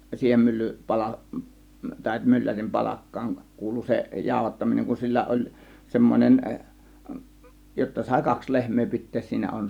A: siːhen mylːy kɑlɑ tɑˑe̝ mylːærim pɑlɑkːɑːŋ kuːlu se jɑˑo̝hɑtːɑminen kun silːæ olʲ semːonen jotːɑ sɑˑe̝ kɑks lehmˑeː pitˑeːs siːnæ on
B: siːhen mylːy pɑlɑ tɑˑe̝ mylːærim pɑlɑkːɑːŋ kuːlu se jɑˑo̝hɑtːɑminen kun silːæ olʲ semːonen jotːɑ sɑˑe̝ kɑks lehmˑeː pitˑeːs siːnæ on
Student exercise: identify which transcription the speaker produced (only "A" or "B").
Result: B